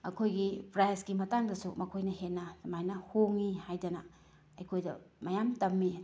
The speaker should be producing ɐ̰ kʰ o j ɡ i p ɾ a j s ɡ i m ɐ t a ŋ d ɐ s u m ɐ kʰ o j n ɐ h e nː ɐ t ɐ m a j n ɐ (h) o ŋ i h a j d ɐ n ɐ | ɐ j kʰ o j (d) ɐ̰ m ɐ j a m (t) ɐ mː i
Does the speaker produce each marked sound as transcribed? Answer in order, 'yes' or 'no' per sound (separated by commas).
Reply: yes, yes, yes